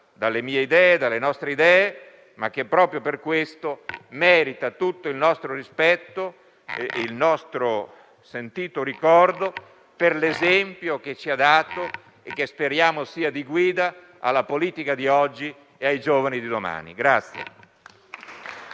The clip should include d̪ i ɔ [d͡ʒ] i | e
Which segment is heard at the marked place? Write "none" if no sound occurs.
d͡ʒː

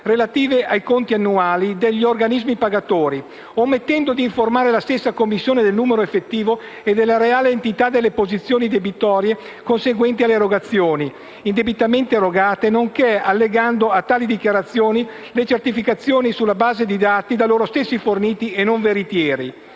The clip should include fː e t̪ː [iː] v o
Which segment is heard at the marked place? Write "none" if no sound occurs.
iː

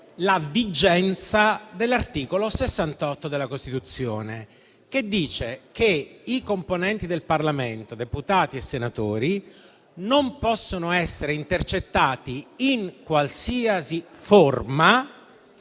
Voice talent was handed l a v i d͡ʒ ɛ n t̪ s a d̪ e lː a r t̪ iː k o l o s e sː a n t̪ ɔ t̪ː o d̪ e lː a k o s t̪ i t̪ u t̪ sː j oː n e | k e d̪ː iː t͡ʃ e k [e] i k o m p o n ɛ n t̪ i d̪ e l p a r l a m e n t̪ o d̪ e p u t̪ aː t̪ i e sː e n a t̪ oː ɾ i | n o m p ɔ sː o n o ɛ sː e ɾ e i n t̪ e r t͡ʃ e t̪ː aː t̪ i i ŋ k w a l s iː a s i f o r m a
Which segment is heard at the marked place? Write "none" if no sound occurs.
e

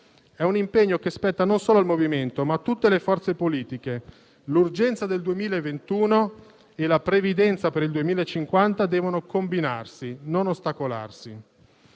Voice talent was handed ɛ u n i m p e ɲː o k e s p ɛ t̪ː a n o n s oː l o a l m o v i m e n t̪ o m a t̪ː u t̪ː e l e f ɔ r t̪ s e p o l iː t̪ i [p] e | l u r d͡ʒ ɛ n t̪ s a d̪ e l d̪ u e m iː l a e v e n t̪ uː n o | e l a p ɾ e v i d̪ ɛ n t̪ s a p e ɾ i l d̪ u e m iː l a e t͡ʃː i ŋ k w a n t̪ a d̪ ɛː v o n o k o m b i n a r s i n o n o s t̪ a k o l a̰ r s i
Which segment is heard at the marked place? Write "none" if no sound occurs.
k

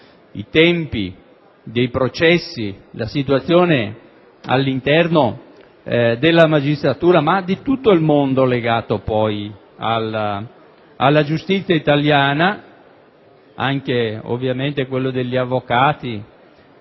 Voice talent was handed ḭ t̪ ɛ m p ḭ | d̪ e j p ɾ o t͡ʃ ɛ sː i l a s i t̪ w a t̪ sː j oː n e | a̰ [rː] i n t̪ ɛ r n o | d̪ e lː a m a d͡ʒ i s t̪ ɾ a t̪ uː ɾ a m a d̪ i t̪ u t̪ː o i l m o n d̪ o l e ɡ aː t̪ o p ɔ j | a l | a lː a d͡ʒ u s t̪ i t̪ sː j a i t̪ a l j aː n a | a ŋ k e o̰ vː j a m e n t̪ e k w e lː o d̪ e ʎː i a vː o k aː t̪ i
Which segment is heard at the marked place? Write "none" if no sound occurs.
lː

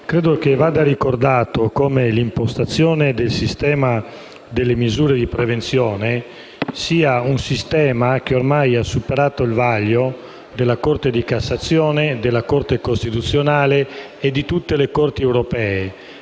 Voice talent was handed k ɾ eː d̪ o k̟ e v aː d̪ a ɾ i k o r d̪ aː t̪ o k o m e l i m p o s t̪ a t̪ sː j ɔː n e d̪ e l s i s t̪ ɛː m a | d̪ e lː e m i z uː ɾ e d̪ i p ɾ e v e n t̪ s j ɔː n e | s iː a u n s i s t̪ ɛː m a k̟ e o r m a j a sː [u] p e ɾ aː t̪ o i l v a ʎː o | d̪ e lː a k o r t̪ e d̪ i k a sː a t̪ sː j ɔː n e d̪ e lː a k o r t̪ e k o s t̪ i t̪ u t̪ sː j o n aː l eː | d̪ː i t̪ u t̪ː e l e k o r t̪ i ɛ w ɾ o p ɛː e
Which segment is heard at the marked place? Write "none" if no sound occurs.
u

